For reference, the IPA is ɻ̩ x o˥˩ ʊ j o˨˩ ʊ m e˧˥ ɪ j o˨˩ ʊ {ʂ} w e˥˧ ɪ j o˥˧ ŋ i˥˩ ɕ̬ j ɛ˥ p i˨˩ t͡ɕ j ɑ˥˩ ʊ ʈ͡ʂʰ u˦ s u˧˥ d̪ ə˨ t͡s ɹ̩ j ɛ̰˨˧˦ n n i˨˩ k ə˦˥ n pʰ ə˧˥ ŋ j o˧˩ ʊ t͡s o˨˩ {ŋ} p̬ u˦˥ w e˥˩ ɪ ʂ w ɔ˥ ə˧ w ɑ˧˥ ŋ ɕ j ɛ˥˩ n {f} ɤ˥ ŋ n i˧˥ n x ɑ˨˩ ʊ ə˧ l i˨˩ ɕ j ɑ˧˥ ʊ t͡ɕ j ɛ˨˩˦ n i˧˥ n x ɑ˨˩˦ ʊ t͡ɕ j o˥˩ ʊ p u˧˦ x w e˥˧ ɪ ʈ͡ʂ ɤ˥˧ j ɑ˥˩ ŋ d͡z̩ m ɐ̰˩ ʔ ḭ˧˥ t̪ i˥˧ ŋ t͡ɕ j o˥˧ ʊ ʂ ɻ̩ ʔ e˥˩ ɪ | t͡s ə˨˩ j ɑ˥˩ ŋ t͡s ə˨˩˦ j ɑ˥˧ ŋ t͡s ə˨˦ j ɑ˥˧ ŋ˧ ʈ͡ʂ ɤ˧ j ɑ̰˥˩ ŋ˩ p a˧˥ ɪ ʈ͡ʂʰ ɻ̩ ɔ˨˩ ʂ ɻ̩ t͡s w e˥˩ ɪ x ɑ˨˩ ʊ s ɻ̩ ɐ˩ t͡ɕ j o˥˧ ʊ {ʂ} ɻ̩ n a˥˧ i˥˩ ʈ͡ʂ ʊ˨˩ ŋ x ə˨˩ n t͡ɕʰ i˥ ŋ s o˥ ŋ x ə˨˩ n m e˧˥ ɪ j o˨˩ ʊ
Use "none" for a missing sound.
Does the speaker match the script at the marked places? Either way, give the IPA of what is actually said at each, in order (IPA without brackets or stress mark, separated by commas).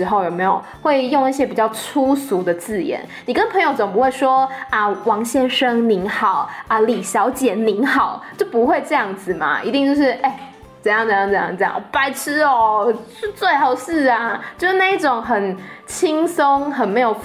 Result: x, ŋ, ʂ, ʂ